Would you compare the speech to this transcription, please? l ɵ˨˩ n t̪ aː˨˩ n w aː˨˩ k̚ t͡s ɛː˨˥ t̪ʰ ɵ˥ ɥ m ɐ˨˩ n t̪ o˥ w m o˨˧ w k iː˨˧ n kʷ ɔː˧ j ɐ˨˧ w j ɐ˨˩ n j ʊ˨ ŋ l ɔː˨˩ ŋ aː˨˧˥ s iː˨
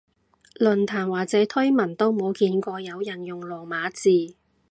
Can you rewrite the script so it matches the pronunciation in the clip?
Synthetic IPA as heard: l ɵ˨˩ n t̪ʰ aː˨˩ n w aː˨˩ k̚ t͡s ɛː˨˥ t̪ʰ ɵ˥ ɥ m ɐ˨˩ n t̪ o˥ w m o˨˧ w k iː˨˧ n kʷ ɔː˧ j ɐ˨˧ w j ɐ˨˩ n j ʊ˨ ŋ l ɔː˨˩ m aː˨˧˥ t͡s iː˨